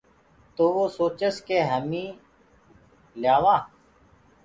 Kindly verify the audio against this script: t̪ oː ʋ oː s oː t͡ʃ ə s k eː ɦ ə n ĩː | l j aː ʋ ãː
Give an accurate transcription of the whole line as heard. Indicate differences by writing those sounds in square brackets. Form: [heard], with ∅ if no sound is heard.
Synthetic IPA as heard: t̪ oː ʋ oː s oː t͡ʃ ə s k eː ɦ ə [m] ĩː | l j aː ʋ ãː